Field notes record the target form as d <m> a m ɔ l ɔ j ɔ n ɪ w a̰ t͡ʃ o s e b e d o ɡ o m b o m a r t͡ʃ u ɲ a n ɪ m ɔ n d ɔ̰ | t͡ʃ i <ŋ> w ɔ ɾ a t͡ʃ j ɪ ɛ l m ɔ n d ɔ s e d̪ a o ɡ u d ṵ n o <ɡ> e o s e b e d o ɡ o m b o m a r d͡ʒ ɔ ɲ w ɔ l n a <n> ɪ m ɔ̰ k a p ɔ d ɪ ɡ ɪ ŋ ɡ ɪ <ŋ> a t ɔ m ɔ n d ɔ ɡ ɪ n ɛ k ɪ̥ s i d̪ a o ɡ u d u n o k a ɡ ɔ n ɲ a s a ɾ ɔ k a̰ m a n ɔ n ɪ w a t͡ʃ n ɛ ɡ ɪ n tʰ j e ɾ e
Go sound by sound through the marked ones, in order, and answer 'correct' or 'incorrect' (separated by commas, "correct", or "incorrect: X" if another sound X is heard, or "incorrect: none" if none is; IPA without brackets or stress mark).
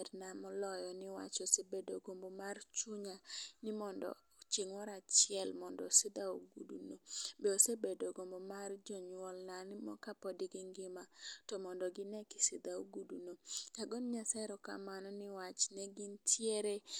incorrect: n, correct, incorrect: b, correct, incorrect: m